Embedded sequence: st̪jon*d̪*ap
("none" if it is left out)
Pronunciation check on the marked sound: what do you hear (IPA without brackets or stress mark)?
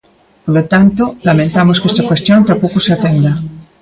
t̪